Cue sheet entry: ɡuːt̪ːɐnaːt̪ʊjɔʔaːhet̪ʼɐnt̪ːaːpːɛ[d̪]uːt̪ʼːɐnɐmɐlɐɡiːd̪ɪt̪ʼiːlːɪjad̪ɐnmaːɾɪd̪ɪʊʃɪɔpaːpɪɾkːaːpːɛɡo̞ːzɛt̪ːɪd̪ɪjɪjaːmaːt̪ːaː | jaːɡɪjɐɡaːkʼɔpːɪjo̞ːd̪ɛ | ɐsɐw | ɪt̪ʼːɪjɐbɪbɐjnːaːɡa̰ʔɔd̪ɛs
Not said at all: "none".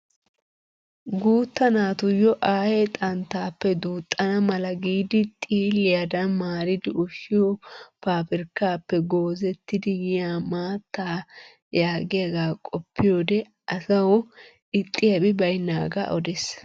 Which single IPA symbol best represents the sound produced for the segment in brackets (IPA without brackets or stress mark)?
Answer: d̪